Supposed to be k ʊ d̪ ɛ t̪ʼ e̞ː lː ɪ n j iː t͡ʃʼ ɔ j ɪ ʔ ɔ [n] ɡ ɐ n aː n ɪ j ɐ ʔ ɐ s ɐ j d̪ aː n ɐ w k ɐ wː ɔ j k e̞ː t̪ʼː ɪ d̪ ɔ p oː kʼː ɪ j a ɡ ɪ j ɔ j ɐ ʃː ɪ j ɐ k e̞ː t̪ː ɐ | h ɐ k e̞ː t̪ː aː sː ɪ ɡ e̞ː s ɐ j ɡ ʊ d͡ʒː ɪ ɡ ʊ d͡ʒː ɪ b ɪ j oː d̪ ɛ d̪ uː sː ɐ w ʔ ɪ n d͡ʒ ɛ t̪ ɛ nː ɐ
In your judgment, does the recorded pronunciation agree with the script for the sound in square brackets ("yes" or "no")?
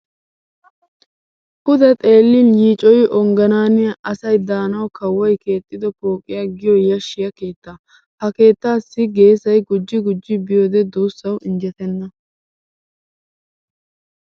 no